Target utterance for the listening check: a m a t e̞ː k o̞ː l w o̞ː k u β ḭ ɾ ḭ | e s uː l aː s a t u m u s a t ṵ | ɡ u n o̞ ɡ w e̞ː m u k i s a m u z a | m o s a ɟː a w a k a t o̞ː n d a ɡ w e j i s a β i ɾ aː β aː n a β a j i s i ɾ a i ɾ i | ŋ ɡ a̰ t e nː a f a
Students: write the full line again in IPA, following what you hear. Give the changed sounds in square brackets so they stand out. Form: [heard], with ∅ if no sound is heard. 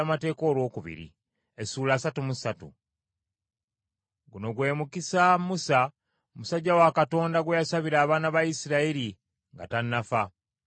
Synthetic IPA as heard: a m a t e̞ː k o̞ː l w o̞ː k u β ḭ ɾ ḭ | e s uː l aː s a t u m u s a t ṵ | ɡ u n o̞ ɡ w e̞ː m u k i s a m u [s] a | m [u] s a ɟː a w a k a t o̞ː n d a ɡ w e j [a] s a β i ɾ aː β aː n a β a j i s i ɾ a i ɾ i | ŋ ɡ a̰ t [a] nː a f a